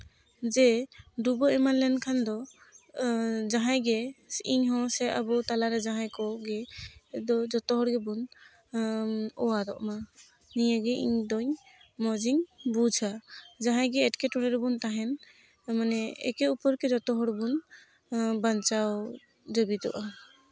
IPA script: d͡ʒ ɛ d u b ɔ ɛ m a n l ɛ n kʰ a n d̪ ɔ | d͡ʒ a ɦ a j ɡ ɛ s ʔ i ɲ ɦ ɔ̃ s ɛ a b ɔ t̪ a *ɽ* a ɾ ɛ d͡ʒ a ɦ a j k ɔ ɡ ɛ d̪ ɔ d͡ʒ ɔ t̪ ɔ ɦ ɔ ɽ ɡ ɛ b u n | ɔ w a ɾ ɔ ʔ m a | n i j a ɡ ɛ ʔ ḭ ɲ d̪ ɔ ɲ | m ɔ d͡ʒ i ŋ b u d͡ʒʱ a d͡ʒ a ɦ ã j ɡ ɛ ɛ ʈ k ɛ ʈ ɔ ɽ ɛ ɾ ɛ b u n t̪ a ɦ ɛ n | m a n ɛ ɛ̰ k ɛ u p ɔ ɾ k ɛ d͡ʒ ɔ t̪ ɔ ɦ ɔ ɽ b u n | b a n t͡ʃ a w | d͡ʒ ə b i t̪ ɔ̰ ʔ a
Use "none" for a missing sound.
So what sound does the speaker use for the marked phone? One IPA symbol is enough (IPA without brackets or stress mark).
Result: l